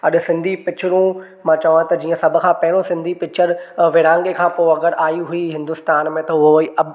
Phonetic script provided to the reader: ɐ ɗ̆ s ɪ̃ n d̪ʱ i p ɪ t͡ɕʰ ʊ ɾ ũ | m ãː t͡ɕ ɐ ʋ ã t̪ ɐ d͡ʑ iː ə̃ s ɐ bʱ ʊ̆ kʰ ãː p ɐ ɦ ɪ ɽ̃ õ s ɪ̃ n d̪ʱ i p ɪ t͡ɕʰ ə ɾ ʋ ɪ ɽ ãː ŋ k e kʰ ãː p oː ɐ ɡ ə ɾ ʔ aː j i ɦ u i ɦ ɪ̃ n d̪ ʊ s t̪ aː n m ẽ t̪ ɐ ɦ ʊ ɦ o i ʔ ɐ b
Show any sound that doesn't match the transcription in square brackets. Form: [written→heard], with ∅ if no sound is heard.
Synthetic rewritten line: ɐ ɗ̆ s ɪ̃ n d̪ʱ i p ɪ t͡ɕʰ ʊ ɾ ũ | m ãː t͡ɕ ɐ ʋ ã t̪ ɐ d͡ʑ iː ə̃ s ɐ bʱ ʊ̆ kʰ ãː p ɐ ɦ ɪ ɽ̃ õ s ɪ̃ n d̪ʱ i p ɪ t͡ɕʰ ə ɾ ʋ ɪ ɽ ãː ŋ [k→ɡ] e kʰ ãː p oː ɐ ɡ ə ɾ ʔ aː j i ɦ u i ɦ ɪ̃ n d̪ ʊ s t̪ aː n m ẽ t̪ ɐ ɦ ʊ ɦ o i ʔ ɐ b